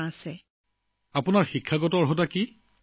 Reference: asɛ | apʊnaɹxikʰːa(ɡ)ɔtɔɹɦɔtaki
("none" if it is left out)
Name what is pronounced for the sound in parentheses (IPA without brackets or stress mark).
ɡ